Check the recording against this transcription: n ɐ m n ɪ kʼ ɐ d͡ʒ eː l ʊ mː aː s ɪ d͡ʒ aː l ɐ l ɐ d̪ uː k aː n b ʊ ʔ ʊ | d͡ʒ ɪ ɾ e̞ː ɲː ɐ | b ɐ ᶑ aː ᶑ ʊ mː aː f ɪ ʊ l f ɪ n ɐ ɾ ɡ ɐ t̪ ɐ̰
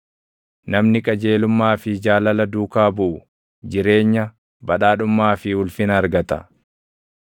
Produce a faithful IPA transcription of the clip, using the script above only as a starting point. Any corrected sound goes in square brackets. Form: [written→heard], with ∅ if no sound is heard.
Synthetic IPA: n ɐ m n ɪ kʼ ɐ d͡ʒ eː l ʊ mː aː [s→f] ɪ d͡ʒ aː l ɐ l ɐ d̪ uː k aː [n→∅] b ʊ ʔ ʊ | d͡ʒ ɪ ɾ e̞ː ɲː ɐ | b ɐ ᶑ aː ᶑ ʊ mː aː f ɪ ʊ l f ɪ n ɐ ɾ ɡ ɐ t̪ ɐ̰